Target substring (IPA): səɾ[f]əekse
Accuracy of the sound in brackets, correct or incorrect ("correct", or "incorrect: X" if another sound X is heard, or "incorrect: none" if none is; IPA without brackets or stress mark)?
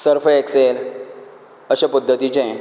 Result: correct